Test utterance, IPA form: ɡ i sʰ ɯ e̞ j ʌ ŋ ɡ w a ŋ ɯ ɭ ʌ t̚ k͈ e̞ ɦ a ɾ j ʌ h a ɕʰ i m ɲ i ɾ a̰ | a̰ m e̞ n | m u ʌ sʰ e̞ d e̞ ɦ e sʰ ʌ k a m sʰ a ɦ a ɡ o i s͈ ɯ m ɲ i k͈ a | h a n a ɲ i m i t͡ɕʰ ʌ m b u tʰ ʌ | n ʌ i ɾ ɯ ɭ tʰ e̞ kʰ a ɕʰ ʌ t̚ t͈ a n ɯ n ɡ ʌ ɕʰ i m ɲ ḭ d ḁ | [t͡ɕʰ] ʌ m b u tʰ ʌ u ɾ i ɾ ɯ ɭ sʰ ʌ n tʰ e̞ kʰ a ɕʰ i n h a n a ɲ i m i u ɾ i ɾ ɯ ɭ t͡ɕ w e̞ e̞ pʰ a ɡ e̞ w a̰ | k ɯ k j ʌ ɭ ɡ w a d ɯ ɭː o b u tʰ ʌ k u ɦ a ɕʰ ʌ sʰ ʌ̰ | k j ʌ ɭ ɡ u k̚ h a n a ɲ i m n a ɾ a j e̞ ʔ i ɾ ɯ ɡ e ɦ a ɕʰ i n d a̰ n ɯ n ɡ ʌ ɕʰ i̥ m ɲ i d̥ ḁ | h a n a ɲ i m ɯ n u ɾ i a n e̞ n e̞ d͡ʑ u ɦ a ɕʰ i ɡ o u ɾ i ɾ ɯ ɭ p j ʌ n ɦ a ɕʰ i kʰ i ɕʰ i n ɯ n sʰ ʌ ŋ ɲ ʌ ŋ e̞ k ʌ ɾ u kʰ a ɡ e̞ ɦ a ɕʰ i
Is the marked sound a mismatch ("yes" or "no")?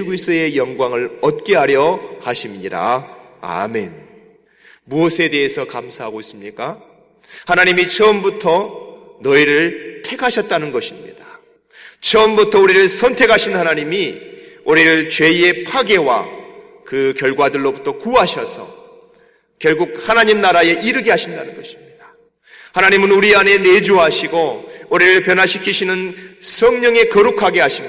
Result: no